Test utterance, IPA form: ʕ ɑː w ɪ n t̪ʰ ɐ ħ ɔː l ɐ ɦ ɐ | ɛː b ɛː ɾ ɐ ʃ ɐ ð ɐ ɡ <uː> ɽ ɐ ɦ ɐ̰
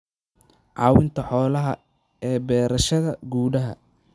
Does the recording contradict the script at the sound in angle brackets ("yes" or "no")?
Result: no